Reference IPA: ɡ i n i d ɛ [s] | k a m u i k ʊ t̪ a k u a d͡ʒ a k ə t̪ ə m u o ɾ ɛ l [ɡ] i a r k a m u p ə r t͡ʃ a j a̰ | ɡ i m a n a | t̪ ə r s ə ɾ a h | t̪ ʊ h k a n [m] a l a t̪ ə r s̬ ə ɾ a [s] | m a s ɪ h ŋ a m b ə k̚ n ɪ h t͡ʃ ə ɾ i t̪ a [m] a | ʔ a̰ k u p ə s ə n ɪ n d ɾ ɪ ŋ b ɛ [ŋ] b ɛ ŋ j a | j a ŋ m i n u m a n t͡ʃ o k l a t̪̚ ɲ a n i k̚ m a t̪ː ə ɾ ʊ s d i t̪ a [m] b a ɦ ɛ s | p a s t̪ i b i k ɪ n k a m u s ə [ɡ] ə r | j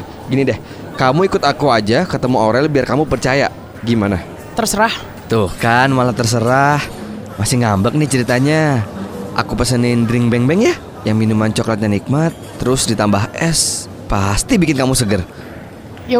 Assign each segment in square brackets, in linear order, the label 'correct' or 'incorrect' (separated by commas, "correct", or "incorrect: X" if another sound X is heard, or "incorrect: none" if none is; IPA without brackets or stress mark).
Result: incorrect: h, incorrect: b, correct, incorrect: h, incorrect: ɲ, correct, correct, correct